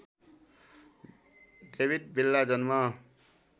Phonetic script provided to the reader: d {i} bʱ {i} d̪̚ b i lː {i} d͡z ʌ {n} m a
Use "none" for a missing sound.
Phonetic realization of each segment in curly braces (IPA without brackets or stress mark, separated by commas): e, i, a, n